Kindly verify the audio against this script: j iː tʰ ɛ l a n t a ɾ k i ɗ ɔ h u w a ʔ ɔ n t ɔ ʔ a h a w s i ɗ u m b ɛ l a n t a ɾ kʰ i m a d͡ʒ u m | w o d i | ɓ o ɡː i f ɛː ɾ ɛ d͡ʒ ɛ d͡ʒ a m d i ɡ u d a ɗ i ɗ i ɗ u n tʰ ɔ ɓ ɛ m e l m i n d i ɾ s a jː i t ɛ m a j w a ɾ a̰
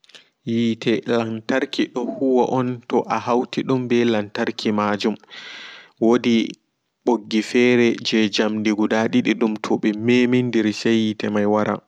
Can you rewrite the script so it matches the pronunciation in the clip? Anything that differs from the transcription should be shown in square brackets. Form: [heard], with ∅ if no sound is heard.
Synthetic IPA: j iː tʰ ɛ l a n t a ɾ k i ɗ ɔ h u w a ʔ ɔ n t ɔ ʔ a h a w [t] i ɗ u m b ɛ l a n t a ɾ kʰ i m a d͡ʒ u m | w o d i | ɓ o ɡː i f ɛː ɾ ɛ d͡ʒ ɛ d͡ʒ a m d i ɡ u d a ɗ i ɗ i ɗ u [m] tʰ ɔ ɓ ɛ m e [∅] m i n d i ɾ s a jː i t ɛ m a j w a ɾ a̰